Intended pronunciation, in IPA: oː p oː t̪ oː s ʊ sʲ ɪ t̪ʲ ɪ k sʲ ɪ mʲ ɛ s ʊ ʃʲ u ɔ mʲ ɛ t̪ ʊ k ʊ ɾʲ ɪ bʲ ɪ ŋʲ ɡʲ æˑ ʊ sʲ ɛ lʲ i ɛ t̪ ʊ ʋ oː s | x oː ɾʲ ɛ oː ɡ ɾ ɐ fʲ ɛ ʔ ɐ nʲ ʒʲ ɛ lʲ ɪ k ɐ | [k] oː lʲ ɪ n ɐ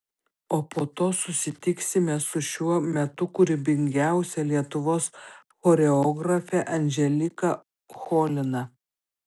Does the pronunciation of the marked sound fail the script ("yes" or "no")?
yes